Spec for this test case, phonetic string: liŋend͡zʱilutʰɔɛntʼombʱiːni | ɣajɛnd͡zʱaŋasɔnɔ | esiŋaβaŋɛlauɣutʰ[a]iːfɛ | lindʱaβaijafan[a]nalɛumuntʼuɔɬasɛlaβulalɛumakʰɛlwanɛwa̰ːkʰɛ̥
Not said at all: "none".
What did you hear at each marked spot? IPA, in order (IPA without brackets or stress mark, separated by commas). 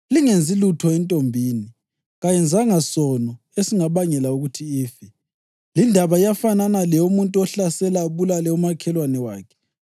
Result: i, a